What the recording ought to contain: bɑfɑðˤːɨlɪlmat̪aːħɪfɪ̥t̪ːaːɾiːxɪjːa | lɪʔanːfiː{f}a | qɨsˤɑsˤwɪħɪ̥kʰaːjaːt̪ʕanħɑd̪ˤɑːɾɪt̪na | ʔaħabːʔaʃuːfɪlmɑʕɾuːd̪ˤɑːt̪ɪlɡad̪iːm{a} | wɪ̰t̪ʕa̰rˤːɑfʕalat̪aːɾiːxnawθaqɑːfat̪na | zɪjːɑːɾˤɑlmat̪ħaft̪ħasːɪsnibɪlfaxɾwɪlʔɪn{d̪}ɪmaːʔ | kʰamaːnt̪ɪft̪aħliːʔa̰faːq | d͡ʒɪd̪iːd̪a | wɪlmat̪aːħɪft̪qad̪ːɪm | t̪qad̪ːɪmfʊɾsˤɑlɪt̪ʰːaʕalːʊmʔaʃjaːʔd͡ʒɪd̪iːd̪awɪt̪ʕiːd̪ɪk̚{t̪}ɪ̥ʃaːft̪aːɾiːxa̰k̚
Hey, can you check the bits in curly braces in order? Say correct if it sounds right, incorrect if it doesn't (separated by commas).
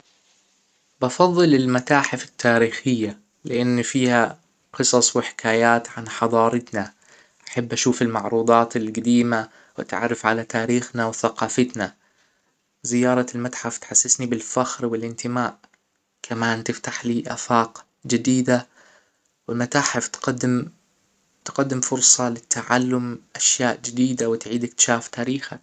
incorrect, correct, incorrect, correct